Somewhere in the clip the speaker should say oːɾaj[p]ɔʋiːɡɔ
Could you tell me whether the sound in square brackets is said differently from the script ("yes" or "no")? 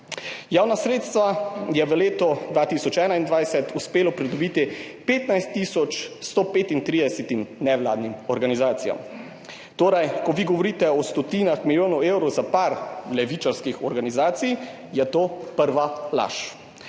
yes